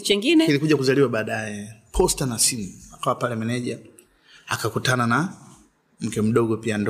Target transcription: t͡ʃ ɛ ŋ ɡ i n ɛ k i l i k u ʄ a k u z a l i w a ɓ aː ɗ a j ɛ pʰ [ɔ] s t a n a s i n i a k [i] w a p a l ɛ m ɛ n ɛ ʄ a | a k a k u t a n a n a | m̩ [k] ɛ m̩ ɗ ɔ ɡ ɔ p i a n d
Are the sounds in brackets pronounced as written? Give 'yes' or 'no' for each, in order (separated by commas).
yes, no, yes